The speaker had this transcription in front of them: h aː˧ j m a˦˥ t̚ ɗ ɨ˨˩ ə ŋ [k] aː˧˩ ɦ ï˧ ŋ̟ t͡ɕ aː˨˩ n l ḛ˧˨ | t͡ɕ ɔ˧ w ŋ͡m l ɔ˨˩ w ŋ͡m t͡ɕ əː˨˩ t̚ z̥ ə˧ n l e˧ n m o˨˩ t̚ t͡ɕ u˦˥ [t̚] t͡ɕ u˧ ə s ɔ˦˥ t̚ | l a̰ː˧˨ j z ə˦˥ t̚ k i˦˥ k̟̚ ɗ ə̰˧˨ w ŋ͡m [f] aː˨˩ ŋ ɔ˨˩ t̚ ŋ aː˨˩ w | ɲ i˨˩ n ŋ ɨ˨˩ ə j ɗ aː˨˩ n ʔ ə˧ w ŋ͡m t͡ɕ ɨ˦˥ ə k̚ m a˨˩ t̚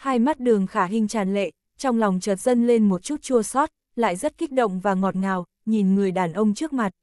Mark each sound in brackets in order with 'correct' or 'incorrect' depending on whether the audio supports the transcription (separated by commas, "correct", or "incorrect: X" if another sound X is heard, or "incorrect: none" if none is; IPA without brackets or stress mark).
incorrect: x, correct, incorrect: v